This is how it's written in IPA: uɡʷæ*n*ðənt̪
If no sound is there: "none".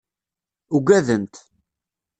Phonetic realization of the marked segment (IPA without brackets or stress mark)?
none